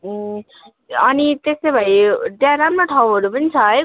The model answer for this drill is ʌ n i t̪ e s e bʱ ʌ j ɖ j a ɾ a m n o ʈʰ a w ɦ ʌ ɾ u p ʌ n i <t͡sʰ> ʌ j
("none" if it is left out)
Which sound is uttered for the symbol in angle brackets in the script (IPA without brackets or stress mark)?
t͡sʰ